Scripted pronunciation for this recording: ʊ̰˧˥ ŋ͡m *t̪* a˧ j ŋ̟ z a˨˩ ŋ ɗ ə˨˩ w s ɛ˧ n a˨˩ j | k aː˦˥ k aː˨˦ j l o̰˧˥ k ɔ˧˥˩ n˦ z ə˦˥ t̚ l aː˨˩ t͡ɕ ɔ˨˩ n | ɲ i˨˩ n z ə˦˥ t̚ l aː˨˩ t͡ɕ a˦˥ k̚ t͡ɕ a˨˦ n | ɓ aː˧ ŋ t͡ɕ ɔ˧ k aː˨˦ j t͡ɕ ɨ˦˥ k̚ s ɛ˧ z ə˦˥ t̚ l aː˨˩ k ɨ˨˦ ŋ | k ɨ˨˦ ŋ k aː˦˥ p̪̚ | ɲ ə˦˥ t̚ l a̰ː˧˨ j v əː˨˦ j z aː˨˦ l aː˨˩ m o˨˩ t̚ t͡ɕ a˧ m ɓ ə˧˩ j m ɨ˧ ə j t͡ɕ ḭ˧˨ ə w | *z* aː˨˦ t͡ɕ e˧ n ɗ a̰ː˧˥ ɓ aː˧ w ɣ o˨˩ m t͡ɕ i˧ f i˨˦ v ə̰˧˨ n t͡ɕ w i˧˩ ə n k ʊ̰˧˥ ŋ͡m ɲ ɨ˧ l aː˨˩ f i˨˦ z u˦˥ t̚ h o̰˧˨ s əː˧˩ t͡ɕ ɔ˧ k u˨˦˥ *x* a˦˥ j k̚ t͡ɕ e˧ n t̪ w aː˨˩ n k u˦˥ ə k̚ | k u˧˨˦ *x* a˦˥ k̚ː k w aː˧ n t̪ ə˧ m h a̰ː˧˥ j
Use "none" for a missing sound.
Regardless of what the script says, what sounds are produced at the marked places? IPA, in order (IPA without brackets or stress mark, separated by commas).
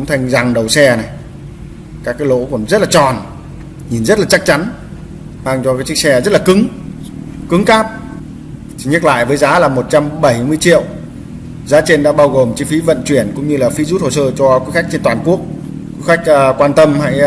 t̪ʰ, z, x, x